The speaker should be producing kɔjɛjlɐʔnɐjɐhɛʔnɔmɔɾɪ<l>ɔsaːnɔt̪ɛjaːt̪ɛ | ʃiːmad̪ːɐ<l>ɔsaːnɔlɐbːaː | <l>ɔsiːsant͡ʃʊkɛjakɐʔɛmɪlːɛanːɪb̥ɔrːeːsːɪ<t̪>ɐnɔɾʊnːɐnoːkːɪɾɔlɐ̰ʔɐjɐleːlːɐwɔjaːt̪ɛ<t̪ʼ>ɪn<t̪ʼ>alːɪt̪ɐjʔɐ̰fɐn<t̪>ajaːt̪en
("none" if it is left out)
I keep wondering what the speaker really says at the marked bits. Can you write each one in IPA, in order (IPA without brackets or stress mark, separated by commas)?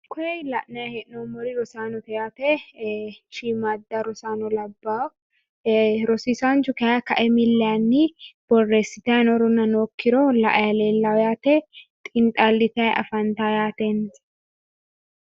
ɾ, ɾ, ɾ, t̪, t̪ʼ, t̪ʼ, t̪